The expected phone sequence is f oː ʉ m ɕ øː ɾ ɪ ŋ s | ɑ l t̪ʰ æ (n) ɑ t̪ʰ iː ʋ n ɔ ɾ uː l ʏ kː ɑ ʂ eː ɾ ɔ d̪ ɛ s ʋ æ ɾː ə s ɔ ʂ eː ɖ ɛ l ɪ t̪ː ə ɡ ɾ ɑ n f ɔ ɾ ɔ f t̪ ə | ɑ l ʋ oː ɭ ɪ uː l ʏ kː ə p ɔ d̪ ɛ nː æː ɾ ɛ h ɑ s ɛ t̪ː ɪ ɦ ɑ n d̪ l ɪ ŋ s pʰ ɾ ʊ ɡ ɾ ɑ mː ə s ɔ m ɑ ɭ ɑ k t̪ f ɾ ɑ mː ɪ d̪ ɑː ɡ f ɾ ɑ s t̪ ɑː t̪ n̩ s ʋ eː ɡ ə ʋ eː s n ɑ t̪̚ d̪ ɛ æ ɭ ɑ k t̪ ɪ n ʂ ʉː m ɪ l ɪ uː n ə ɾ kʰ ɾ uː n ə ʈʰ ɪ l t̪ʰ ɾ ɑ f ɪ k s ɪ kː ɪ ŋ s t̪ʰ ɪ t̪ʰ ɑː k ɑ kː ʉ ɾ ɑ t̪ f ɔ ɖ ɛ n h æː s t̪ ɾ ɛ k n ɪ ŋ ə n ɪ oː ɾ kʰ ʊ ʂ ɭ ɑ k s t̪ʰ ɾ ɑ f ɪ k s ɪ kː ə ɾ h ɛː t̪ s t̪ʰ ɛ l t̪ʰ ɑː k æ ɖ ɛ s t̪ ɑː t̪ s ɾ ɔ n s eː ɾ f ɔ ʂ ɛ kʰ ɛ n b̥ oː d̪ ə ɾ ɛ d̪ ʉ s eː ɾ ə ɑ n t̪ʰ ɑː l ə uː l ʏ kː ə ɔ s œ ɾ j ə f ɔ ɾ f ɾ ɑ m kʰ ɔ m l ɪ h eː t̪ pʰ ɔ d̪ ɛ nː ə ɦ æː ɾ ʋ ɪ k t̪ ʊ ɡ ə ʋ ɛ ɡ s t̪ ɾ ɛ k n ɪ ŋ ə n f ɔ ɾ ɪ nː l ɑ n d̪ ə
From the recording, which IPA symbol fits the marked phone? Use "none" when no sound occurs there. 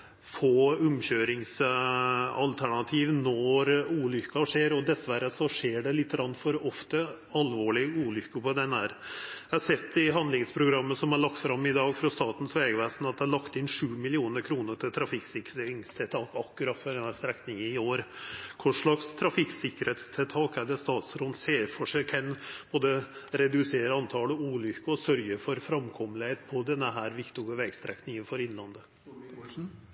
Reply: ɳ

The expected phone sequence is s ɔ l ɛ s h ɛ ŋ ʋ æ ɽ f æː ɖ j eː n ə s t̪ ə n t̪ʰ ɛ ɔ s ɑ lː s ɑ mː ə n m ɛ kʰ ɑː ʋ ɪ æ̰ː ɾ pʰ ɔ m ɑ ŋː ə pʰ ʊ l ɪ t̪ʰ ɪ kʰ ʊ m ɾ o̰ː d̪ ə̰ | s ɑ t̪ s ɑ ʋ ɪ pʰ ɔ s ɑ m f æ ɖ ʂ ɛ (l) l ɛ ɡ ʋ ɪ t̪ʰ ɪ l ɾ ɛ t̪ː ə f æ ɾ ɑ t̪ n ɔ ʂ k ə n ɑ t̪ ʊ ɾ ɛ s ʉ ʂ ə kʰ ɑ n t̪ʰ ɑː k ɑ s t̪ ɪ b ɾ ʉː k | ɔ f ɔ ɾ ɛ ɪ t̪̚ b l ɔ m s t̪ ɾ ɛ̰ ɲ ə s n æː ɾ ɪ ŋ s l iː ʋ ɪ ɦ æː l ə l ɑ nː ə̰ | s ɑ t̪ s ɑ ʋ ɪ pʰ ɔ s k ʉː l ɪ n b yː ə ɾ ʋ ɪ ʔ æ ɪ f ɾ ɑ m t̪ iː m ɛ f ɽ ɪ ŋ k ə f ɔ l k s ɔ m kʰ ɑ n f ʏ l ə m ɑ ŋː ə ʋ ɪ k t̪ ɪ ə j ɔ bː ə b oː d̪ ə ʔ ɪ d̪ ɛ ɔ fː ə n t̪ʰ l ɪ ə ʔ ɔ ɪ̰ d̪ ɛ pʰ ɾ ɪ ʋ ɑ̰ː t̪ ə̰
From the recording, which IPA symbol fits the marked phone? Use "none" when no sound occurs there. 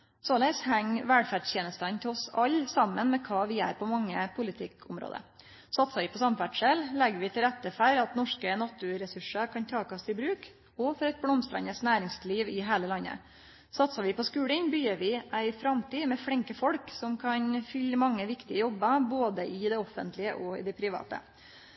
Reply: l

